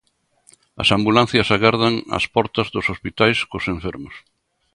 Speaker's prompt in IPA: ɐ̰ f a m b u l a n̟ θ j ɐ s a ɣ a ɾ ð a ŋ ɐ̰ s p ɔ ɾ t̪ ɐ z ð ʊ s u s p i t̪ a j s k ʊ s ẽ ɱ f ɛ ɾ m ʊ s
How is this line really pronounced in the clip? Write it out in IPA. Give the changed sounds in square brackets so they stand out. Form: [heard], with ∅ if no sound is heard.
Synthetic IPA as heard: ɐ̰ [s] a m b u l a n̟ θ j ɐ s a ɣ a ɾ ð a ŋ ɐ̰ s p ɔ ɾ t̪ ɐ z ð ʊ s [o] s p i t̪ a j s k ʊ s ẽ ɱ f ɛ ɾ m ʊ s